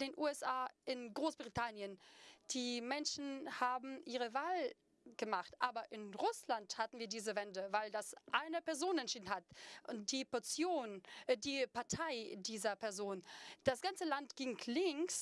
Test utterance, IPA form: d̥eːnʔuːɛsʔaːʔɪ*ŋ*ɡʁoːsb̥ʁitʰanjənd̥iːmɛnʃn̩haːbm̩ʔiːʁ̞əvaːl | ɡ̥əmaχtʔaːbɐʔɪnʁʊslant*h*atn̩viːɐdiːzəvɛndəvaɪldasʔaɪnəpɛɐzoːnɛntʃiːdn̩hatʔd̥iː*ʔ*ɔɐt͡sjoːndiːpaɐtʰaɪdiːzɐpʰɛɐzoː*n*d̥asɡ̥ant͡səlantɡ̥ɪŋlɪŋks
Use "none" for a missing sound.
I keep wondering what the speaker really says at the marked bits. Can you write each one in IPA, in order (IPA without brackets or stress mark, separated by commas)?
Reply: n, h, p, n